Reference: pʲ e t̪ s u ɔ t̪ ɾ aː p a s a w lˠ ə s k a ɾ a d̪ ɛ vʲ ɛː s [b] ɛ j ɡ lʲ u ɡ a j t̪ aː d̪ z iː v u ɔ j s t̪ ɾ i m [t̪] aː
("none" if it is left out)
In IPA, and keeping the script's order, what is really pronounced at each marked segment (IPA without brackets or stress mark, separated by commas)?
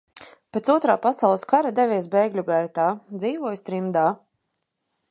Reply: b, d̪